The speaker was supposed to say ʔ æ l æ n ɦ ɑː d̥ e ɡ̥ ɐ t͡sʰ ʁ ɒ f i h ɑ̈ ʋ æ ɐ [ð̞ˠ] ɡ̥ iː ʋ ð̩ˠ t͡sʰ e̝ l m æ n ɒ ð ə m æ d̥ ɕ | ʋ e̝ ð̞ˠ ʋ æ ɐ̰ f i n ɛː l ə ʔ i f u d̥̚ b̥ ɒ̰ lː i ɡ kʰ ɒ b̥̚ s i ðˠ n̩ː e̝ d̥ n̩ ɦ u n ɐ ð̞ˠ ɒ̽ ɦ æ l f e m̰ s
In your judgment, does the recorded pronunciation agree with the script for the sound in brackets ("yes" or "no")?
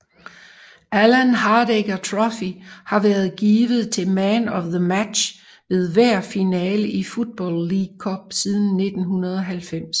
yes